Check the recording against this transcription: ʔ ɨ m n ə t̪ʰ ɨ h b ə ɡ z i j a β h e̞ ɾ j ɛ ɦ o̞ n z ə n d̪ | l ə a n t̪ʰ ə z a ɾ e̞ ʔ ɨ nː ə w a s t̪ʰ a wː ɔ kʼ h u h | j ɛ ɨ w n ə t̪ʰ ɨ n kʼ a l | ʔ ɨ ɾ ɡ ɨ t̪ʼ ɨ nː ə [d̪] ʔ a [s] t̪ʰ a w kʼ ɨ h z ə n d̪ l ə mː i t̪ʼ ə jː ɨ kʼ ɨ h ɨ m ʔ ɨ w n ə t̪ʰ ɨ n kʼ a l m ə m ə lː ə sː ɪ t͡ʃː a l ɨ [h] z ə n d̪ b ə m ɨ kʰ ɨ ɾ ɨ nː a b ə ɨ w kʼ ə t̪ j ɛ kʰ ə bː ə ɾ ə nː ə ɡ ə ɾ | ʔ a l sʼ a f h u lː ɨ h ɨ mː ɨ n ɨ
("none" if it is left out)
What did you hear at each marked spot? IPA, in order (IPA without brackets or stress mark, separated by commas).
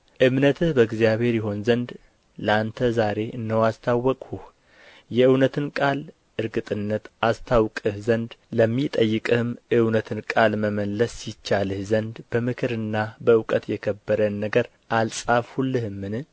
t̪, s, h